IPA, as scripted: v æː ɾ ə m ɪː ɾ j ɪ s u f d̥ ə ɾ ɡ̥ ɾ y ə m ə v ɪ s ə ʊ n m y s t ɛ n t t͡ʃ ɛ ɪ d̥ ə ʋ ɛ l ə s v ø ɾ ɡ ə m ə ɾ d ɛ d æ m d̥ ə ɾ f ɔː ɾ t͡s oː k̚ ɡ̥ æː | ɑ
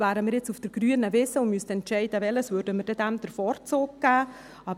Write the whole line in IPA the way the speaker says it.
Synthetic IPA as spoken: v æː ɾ ə m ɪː ɾ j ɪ t͡s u f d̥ ə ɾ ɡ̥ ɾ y ə n ə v ɪ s ə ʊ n m y s t ɛ n t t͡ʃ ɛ ɪ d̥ ə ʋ ɛ l ə s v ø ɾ d ə m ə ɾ d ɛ d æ m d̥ ə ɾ f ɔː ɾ t͡s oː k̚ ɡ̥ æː | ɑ